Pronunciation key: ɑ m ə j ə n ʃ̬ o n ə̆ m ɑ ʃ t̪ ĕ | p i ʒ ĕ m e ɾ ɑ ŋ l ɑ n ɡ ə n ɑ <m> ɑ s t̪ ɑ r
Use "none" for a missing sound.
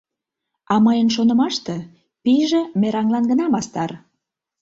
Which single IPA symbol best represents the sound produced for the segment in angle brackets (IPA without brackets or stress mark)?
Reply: m